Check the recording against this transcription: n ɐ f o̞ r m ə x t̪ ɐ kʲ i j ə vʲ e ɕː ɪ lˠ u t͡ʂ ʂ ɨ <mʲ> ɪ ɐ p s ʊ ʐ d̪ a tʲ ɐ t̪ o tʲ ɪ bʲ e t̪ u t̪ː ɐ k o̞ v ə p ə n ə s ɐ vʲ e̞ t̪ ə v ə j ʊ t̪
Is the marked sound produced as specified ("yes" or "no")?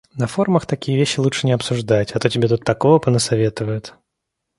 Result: no